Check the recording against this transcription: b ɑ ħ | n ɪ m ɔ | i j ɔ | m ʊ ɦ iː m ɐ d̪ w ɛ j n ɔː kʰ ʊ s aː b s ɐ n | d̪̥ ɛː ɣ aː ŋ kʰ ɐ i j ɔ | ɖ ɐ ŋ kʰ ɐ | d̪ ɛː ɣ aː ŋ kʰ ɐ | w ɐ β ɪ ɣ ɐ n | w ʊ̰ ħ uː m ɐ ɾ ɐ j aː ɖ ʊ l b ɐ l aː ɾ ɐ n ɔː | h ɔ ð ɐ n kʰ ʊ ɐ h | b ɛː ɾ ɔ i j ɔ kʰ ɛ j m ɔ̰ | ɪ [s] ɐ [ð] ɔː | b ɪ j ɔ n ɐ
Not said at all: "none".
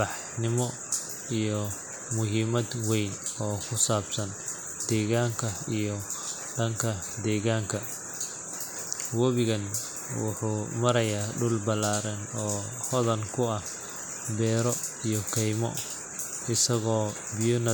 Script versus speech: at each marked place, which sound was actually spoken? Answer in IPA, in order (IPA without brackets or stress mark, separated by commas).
s, ɣ